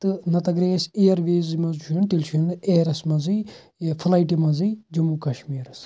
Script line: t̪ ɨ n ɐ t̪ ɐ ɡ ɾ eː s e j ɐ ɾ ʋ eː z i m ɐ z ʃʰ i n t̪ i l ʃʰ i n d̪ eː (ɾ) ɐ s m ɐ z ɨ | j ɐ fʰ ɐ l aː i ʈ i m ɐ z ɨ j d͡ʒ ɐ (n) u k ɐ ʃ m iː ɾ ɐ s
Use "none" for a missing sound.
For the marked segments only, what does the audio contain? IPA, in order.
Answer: ɾ, m

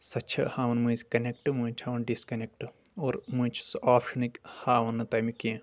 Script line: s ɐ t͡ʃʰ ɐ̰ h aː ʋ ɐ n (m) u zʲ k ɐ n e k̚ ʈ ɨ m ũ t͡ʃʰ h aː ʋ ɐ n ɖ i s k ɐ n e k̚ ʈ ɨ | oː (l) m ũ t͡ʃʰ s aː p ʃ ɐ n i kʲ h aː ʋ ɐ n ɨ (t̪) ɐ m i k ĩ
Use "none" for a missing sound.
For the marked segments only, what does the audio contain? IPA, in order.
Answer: m, ɾ, t̪

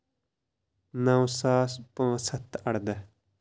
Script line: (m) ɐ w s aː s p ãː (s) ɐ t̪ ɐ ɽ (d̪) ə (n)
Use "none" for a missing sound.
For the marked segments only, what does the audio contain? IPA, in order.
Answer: n, s, d̪, none

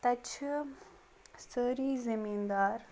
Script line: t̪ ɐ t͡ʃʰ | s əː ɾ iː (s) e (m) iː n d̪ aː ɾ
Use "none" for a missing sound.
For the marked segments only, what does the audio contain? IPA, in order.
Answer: z, m

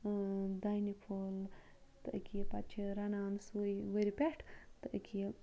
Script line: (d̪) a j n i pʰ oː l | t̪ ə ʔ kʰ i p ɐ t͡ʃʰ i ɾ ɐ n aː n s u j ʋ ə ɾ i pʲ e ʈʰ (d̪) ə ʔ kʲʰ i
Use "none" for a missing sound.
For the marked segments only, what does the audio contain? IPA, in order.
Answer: d̪, t̪

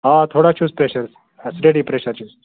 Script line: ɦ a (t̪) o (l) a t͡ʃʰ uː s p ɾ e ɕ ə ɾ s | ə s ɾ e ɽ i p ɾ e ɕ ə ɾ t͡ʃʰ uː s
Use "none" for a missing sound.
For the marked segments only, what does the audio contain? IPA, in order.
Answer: t̪ʰ, ɽ

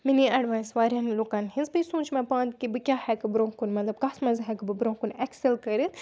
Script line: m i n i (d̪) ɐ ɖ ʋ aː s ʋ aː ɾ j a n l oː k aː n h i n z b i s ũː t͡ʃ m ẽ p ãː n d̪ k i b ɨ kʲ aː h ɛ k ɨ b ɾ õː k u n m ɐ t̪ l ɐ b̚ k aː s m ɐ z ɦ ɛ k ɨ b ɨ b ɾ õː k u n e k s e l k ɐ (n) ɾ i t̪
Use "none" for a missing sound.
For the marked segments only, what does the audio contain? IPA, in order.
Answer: none, none

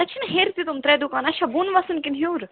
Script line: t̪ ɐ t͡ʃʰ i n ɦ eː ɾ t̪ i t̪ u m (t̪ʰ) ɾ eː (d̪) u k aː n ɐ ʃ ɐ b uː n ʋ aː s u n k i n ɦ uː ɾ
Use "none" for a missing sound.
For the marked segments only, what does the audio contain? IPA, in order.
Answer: t̪, d̪

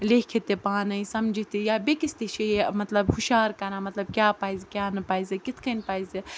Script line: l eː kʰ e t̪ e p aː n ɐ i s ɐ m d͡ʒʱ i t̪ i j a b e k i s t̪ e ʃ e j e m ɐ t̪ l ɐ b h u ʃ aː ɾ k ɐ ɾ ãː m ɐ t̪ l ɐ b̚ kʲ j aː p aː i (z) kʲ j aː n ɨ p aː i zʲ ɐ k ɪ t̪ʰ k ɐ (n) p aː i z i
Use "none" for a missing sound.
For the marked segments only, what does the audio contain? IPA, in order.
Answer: z, n

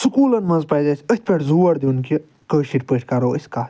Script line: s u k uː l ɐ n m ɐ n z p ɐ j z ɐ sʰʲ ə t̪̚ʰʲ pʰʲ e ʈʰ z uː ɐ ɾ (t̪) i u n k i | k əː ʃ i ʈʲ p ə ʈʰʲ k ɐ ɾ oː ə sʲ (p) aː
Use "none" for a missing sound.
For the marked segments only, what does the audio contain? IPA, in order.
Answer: d̪, k

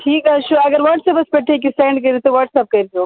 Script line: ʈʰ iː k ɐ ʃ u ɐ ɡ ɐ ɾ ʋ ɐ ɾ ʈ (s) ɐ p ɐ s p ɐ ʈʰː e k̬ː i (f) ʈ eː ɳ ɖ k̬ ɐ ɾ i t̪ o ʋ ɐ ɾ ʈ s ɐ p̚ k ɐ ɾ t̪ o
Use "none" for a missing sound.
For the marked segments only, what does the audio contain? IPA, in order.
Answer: s, s

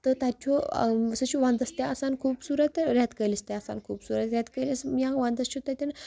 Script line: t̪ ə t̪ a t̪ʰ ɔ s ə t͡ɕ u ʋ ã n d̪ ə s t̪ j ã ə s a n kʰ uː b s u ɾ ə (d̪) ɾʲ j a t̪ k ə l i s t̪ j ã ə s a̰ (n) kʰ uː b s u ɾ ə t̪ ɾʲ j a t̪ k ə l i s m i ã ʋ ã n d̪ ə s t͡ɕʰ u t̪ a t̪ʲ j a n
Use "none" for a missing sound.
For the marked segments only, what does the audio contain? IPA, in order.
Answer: t̪, n

